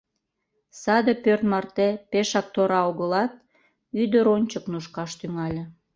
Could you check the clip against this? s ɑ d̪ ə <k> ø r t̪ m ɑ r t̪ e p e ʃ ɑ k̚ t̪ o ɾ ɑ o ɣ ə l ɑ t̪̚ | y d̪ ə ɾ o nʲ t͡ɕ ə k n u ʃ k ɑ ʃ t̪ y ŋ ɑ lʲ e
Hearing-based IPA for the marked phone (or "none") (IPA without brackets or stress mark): p